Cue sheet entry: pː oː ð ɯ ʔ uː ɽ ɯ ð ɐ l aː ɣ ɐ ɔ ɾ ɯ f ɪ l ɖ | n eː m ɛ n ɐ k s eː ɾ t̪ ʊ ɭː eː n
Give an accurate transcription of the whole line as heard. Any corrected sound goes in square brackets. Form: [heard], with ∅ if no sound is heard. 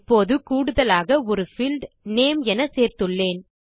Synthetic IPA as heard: pː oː ð ɯ [k] uː ɽ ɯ ð ɐ l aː ɣ ɐ ɔ ɾ ɯ f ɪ l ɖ | n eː m ɛ n ɐ [∅] s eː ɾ t̪ [ɯ] ɭː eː n